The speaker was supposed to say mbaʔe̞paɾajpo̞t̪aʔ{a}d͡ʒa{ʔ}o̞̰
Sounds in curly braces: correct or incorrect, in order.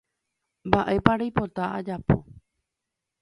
correct, incorrect: p

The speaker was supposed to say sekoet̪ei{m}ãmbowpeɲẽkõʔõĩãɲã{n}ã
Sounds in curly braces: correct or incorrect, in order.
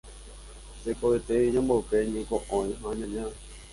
incorrect: ɲ, incorrect: ɲ

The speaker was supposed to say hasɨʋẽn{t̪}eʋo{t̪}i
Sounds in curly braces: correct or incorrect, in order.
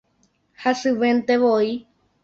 correct, incorrect: none

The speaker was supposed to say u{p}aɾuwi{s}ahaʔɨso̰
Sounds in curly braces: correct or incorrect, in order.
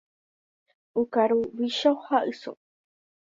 incorrect: k, incorrect: ʃ

